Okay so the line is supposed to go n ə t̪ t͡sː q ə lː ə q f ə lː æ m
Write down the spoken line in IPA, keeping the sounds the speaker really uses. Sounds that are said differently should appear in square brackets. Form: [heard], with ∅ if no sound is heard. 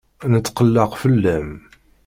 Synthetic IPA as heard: n ə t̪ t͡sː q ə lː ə q f ə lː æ m